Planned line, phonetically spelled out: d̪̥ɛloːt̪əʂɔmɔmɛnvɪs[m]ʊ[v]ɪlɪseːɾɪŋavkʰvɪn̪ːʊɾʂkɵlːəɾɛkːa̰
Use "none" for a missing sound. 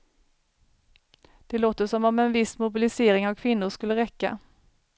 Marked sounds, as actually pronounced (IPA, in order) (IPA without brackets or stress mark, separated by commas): m, b